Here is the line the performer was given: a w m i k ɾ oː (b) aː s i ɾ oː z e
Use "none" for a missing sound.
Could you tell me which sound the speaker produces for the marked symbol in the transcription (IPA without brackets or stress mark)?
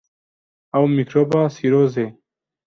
b